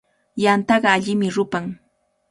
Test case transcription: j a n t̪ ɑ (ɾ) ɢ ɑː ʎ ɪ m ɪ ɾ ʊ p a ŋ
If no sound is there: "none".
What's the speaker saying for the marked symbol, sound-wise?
none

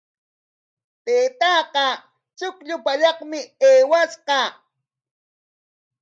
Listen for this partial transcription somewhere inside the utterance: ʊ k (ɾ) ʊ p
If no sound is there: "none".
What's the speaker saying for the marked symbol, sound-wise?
ʎ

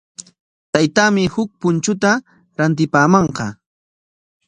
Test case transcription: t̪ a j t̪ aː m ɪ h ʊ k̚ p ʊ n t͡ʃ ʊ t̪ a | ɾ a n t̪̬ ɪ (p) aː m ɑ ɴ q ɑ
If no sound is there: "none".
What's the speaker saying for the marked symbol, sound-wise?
p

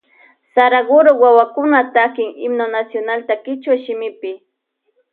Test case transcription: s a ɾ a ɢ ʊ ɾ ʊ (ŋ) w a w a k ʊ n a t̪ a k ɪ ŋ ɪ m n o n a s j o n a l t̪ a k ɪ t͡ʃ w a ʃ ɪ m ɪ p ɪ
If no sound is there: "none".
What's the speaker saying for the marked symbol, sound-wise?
none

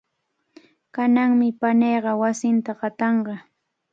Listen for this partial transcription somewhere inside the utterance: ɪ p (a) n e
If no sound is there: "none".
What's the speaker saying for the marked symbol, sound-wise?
a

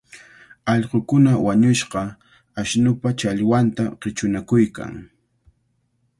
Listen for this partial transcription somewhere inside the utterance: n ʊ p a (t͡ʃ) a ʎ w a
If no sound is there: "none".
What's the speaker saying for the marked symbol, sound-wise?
t͡ʃ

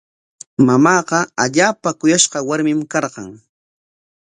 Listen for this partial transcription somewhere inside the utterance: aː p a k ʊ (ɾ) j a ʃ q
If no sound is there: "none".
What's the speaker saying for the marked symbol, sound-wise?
none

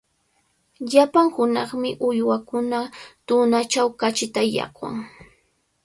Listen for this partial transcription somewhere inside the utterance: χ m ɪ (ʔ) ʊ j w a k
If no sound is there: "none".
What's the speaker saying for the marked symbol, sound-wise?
ʔ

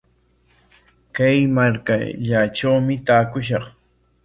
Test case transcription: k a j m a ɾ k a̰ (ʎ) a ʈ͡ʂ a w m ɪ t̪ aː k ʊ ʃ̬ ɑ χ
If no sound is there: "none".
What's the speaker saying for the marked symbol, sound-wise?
ʎ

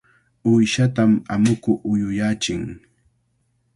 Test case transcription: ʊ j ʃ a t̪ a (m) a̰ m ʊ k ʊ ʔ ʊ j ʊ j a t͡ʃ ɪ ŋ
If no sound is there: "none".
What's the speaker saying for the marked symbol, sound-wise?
m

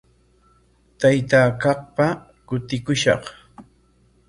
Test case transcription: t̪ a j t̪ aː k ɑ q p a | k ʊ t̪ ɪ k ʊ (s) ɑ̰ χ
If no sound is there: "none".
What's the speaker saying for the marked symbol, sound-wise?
ʃ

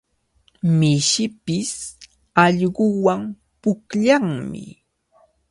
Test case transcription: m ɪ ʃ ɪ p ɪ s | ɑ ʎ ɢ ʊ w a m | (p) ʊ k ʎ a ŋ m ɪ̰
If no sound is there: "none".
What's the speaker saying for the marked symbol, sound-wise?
p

